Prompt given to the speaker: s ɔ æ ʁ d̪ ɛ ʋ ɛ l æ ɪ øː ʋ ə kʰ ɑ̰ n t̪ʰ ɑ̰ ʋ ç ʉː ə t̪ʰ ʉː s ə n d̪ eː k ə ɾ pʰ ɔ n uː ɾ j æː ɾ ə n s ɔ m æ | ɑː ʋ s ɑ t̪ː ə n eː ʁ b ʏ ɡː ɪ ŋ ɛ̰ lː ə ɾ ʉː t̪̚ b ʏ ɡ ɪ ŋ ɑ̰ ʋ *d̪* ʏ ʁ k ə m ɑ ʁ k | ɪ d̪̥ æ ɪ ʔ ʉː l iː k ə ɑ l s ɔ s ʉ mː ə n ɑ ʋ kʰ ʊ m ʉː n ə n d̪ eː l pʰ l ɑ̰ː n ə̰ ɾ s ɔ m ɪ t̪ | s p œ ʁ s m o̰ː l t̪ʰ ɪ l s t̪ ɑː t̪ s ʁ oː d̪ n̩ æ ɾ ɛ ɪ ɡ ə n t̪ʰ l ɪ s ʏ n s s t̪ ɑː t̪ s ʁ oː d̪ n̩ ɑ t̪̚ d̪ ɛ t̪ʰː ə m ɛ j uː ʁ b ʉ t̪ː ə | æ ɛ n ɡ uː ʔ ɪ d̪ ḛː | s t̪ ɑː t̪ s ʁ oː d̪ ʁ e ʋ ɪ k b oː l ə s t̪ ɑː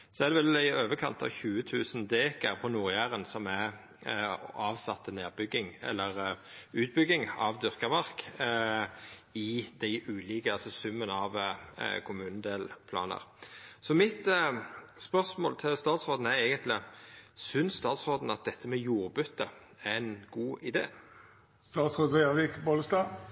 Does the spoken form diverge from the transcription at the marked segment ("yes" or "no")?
no